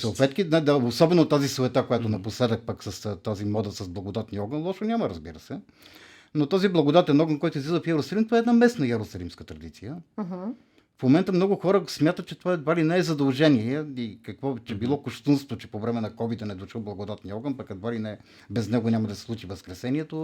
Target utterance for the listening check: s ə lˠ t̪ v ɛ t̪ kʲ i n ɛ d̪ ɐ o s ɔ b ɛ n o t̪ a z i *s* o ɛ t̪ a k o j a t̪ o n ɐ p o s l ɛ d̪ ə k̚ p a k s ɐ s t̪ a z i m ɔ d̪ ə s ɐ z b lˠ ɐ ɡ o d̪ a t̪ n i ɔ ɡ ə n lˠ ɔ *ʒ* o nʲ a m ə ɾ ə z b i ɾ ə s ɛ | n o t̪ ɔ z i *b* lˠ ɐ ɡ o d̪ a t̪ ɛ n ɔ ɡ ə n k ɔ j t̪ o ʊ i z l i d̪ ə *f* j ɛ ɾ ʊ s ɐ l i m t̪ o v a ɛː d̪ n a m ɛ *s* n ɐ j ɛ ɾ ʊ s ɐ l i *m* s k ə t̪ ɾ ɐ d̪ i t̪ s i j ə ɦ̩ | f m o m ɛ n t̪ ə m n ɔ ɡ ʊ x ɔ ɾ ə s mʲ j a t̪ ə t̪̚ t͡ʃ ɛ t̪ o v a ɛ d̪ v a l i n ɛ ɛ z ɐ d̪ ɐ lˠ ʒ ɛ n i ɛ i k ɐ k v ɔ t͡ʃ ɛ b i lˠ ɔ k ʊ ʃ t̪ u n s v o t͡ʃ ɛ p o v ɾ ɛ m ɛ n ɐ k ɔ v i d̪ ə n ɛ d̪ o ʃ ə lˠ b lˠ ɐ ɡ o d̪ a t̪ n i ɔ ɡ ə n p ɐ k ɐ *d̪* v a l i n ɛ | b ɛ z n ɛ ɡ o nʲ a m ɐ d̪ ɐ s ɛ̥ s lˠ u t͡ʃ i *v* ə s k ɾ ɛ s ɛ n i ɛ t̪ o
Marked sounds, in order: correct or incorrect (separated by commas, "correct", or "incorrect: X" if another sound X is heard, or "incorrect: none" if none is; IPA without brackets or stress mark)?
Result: correct, incorrect: ʃ, correct, correct, correct, correct, correct, correct